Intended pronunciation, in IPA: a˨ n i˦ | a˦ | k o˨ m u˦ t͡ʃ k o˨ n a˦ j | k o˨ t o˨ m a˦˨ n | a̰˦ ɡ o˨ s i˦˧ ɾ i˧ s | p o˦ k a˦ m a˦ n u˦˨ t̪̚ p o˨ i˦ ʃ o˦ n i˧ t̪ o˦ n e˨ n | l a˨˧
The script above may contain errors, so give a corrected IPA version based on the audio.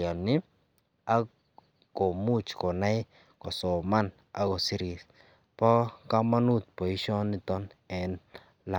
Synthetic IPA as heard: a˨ n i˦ | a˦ | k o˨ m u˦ t͡ʃ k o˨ n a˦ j | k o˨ s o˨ m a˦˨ n | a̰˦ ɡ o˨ s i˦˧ ɾ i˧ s | p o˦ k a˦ m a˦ n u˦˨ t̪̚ p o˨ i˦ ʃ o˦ n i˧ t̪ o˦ n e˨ n | l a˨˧

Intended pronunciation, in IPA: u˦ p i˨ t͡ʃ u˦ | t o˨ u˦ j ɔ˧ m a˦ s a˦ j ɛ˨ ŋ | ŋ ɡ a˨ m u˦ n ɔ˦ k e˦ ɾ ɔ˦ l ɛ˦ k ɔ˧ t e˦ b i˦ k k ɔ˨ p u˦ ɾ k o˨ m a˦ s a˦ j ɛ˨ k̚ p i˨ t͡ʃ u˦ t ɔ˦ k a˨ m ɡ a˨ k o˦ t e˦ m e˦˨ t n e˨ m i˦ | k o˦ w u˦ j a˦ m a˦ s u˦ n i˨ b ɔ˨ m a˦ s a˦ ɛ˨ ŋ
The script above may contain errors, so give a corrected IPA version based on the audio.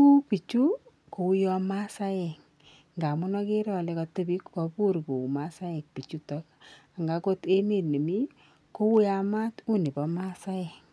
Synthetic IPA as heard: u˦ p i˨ t͡ʃ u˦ | k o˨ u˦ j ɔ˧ m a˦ s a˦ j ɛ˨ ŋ | ŋ ɡ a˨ m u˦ n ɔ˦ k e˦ ɾ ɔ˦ l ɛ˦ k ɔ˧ t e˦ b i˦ k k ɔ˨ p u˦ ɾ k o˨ m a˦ s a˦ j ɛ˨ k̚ p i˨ t͡ʃ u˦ t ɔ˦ k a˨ ŋ ɡ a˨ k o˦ t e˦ m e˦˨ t n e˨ m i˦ | k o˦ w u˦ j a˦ m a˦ t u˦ n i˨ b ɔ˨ m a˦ s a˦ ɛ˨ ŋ

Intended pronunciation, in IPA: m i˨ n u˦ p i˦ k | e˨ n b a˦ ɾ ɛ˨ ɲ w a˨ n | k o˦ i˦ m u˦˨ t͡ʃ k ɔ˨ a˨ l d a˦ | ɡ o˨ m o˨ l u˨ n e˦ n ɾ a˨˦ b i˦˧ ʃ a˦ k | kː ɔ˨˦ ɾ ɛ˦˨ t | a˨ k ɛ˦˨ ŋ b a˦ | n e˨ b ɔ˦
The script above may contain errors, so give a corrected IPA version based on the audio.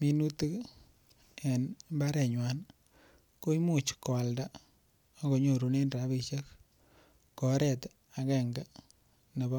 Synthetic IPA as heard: m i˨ n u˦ t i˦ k | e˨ n b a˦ ɾ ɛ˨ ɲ w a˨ n | k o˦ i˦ m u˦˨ t͡ʃ k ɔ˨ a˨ l d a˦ | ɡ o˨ ɲ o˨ ɾ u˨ n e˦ n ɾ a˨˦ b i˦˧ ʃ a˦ k | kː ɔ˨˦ ɾ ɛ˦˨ t | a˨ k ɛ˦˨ ŋ ɡ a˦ | n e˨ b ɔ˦

